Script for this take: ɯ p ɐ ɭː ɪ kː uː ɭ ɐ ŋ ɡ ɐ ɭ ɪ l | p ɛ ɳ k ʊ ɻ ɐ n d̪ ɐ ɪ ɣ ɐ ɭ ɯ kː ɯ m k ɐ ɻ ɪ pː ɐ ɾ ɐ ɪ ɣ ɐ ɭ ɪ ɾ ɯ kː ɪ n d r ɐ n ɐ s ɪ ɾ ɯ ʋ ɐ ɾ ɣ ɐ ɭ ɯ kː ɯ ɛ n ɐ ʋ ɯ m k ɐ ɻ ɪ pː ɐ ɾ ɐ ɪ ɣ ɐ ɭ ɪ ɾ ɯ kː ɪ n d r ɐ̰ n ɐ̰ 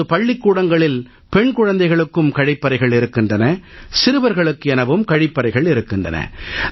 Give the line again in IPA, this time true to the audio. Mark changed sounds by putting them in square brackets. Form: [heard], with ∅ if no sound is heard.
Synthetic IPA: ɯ p ɐ ɭː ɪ kː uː [ɽ] ɐ ŋ ɡ ɐ ɭ ɪ l | p ɛ ɳ k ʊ ɻ ɐ n d̪ ɐ ɪ ɣ ɐ ɭ ɯ kː ɯ m k ɐ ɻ ɪ pː ɐ ɾ ɐ ɪ ɣ ɐ ɭ ɪ ɾ ɯ kː ɪ n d r ɐ n ɐ s ɪ ɾ ɯ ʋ ɐ ɾ ɣ ɐ ɭ ɯ kː ɯ ɛ n ɐ ʋ ɯ m k ɐ ɻ ɪ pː ɐ ɾ ɐ ɪ ɣ ɐ ɭ ɪ ɾ ɯ kː ɪ n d r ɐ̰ n ɐ̰

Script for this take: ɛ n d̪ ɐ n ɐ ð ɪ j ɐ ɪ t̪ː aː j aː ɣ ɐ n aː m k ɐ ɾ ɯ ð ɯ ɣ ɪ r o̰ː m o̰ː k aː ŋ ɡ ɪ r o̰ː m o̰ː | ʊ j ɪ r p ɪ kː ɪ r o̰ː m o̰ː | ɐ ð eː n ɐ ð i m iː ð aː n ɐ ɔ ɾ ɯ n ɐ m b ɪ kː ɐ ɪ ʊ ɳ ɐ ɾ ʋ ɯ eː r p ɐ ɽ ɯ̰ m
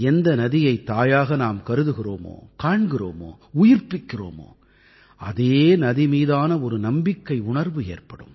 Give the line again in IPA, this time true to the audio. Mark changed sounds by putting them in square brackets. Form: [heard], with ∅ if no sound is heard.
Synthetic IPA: ɛ n d̪ ɐ n ɐ ð ɪ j ɐ ɪ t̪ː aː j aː ɣ ɐ n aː m k ɐ ɾ ɯ ð ɯ ɣ ɪ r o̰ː m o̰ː k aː [ɳ] ɡ ɪ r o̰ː m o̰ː | ʊ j ɪ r p ɪ kː ɪ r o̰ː m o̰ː | ɐ ð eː n ɐ ð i m iː ð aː n ɐ ɔ ɾ ɯ n ɐ m b ɪ kː ɐ ɪ ʊ ɳ ɐ ɾ ʋ ɯ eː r p ɐ ɽ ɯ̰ m

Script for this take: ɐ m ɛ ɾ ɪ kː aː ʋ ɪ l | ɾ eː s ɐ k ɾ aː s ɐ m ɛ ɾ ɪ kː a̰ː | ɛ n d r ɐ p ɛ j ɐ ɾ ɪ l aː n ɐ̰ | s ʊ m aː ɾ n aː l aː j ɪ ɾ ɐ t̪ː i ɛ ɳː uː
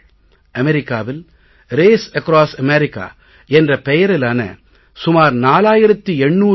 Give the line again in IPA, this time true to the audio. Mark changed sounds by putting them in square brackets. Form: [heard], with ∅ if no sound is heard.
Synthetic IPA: ɐ m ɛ ɾ ɪ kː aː ʋ ɪ l | ɾ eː s ɐ k ɾ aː s ɐ m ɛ ɾ ɪ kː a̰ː | ɛ n d r ɐ p ɛ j ɐ ɾ ɪ l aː n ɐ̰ | s ʊ m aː ɾ n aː l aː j ɪ ɾ ɐ t̪ː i ɛ ɳː uː

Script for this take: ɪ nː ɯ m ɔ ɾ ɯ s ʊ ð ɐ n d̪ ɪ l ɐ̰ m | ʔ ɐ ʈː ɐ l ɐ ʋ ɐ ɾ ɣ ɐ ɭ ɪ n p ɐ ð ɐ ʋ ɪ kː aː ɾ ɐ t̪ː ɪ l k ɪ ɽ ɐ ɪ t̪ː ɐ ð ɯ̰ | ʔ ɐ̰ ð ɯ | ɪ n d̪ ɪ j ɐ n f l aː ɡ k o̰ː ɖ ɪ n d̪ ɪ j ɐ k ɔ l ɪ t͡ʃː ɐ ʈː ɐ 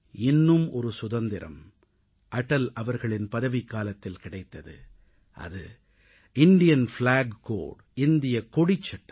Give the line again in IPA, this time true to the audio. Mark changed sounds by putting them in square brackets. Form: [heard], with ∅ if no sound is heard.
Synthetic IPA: ɪ nː ɯ m ɔ ɾ ɯ s ʊ ð ɐ n d̪ ɪ [ɾ] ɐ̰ m | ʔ ɐ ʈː ɐ l ɐ ʋ ɐ ɾ ɣ ɐ ɭ ɪ n p ɐ ð ɐ ʋ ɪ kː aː [l] ɐ t̪ː ɪ l k ɪ ɽ ɐ ɪ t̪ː ɐ ð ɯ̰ | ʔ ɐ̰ ð ɯ | ɪ n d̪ ɪ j ɐ n f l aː ɡ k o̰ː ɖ ɪ n d̪ ɪ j ɐ k ɔ [ɽ] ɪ t͡ʃː ɐ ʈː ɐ

